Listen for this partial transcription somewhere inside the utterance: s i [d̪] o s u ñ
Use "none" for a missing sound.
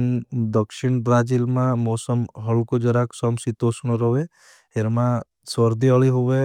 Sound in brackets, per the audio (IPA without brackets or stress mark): t̪